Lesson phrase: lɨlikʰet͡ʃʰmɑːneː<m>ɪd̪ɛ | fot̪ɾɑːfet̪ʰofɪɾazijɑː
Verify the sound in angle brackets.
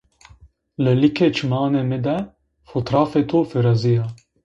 correct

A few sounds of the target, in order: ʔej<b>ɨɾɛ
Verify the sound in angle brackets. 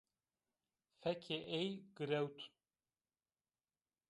incorrect: ɡ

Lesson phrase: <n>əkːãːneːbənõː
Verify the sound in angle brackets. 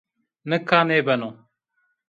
correct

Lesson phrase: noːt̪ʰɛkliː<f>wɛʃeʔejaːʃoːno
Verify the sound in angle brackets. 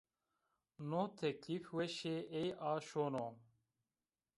correct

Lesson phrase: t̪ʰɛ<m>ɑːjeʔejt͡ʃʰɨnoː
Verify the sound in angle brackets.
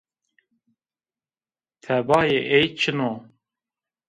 incorrect: b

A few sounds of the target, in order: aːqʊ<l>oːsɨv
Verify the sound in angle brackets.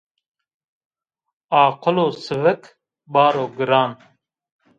correct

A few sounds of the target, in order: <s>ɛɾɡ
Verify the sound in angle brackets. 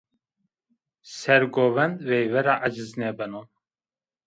correct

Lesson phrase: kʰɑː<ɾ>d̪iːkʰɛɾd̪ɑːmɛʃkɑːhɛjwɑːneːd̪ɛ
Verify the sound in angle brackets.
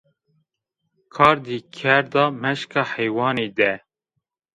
correct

